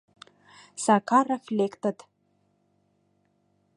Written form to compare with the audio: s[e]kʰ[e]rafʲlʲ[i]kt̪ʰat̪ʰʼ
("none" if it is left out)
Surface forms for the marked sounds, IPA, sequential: a, a, e

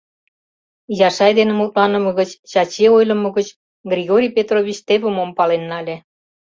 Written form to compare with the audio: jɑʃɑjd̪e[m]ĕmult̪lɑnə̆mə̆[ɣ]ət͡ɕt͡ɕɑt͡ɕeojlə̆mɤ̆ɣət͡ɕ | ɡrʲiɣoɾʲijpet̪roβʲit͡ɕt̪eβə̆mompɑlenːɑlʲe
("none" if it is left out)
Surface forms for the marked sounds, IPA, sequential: n, ɣ

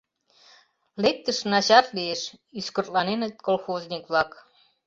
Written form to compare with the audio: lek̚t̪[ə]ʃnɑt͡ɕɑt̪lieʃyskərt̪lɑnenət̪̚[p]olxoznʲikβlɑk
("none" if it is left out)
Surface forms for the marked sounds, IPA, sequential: ə, k

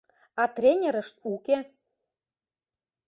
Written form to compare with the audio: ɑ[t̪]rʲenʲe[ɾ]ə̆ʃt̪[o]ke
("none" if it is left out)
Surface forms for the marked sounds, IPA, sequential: t̪, ɾ, u

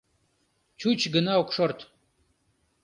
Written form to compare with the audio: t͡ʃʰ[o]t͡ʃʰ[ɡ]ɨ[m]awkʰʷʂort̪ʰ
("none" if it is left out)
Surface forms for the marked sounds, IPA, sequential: u, ɡ, n

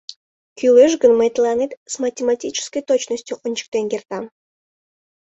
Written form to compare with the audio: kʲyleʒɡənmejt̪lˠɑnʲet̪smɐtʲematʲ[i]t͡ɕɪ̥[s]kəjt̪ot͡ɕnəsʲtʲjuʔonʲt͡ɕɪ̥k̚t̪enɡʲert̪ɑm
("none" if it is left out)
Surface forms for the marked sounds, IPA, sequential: i, s

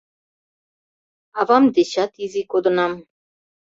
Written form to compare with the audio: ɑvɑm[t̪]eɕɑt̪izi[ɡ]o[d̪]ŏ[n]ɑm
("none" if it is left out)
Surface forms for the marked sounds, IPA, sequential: d̪, k, d̪, n

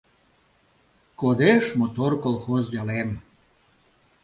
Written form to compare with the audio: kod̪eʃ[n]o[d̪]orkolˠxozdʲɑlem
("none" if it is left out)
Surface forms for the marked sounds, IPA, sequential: m, t̪

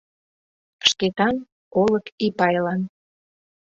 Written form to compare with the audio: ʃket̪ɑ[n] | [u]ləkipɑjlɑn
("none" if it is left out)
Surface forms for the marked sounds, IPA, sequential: n, o

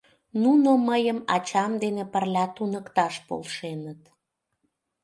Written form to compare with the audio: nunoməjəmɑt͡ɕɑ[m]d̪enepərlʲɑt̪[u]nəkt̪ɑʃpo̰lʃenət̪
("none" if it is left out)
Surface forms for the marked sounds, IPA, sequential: m, u

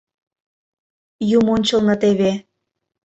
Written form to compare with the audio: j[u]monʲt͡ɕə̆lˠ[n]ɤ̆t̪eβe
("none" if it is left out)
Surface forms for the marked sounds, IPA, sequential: u, n

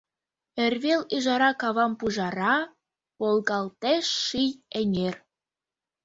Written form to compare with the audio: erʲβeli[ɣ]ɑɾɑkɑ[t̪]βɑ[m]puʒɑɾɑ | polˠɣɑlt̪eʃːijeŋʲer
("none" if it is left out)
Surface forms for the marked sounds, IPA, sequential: ʒ, none, m

